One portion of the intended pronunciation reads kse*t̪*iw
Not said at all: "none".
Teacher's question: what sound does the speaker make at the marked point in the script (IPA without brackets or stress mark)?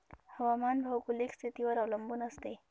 t̪